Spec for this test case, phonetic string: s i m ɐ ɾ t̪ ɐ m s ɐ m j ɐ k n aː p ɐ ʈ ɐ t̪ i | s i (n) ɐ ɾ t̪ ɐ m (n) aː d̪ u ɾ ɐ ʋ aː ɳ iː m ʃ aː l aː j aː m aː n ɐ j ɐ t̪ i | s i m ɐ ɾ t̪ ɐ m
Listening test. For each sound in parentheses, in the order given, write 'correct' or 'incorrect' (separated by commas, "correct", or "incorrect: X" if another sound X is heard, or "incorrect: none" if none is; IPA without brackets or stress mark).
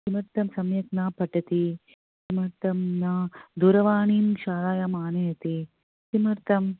incorrect: m, correct